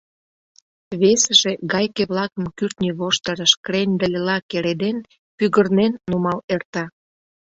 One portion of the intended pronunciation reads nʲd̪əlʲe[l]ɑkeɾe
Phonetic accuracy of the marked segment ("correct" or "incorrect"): correct